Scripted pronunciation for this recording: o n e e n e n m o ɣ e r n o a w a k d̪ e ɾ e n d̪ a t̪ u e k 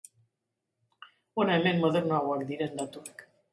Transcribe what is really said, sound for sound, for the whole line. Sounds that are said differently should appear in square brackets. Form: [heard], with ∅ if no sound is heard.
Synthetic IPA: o n [a] e [m] e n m o [ð] e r n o a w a k d̪ [i] ɾ e n d̪ a t̪ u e k